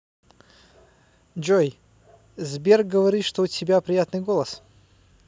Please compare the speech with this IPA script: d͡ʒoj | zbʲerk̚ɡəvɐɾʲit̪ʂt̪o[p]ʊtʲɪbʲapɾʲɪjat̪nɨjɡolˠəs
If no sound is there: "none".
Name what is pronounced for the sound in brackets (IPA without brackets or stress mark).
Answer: none